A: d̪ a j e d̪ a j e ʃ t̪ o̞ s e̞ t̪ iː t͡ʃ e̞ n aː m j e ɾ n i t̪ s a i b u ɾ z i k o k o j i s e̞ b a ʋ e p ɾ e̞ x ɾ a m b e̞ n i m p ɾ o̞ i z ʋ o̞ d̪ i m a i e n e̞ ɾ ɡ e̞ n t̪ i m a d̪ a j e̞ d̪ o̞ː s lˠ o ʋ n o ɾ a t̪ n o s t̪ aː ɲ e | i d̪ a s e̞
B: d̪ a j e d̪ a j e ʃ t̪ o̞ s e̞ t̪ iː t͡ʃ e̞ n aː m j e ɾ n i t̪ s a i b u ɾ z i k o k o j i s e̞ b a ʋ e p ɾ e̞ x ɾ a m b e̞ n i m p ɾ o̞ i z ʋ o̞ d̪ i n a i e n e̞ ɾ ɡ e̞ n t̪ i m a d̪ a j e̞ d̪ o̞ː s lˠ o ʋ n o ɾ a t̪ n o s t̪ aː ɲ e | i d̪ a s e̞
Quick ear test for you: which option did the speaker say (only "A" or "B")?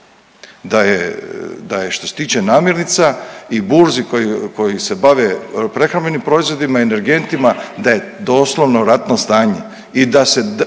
A